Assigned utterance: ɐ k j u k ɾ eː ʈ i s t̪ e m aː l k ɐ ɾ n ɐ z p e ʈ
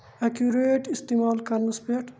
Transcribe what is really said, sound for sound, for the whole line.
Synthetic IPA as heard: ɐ k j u ɾ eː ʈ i s t̪ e m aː l k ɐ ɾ n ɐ s p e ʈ